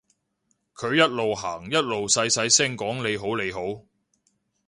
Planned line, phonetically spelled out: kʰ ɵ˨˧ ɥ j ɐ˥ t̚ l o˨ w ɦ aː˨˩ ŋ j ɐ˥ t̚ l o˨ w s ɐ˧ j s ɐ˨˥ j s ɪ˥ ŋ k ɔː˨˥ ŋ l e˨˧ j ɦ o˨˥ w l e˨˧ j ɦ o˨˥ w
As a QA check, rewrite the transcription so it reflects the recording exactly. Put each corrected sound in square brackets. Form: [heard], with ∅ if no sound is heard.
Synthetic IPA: kʰ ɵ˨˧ ɥ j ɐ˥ t̚ l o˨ w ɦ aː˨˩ ŋ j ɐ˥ t̚ l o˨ w s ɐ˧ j s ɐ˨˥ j s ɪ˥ ŋ k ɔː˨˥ ŋ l e˨˧ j ɦ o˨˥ w l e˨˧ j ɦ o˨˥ w